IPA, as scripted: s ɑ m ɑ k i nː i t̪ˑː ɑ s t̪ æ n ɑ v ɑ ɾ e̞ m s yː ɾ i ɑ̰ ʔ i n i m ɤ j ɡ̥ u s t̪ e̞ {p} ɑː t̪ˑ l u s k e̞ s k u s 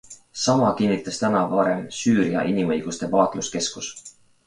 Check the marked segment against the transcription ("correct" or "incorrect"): correct